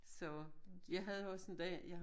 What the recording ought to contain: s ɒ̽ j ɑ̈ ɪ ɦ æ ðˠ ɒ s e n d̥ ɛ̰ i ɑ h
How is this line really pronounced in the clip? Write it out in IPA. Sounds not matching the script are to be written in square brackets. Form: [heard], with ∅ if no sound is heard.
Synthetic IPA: s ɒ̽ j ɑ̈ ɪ ɦ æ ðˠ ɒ s e n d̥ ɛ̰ [j] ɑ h